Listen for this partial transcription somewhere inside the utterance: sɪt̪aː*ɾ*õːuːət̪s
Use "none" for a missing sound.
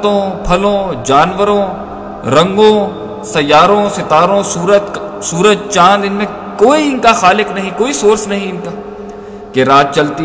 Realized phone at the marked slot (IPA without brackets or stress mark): ɾ